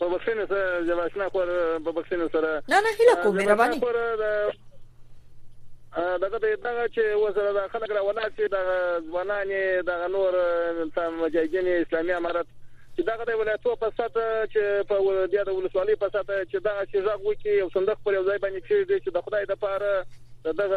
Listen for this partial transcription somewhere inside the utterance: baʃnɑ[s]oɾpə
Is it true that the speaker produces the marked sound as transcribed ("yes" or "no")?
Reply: no